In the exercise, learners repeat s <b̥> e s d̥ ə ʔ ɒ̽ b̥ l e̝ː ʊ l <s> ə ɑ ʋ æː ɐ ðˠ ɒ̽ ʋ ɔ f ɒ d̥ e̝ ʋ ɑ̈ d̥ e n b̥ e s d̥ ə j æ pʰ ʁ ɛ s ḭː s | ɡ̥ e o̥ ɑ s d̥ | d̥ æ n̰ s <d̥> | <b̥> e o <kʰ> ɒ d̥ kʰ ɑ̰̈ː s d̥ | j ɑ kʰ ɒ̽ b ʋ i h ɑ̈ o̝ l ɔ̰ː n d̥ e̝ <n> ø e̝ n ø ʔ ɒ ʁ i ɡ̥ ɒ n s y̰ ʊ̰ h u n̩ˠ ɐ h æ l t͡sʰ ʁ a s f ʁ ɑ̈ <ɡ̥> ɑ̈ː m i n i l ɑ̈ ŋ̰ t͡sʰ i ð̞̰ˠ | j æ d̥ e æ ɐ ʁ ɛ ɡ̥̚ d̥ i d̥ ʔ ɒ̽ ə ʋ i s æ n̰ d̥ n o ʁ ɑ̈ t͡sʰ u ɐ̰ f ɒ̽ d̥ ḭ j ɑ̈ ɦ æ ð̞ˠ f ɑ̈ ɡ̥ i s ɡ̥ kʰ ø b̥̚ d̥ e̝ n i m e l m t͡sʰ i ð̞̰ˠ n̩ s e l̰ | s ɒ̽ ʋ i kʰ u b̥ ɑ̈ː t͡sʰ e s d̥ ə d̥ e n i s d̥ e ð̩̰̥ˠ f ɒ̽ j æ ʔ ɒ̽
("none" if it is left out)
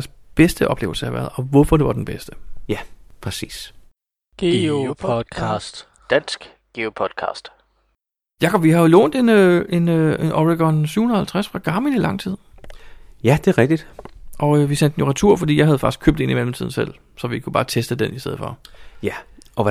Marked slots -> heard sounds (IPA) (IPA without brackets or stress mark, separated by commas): b̥, s, ɡ̥, ɡ̥, pʰ, n, ɡ̥